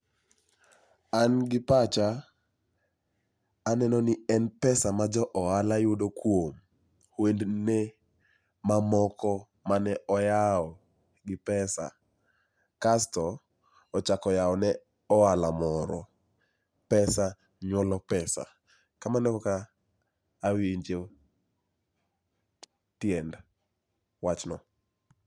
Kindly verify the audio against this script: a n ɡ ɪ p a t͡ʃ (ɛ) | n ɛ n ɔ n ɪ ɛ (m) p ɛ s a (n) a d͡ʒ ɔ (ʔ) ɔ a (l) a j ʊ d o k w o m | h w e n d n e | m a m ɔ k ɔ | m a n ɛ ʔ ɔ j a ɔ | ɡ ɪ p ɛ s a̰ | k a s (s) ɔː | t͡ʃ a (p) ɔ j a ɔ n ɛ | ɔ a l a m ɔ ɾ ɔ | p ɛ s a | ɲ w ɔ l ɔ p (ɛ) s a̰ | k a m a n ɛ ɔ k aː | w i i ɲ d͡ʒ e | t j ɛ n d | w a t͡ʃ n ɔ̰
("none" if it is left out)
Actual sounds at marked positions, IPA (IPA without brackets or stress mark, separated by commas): a, n, m, ʔ, l, t, k, ɛ